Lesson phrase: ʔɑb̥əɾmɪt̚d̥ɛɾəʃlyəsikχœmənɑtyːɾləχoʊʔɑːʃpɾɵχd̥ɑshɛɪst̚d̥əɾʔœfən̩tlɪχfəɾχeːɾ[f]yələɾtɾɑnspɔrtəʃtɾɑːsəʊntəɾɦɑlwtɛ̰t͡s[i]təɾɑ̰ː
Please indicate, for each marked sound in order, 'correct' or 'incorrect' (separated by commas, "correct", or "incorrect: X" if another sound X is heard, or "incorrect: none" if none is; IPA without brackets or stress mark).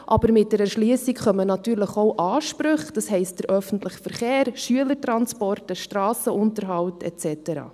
incorrect: ʃ, incorrect: ɛ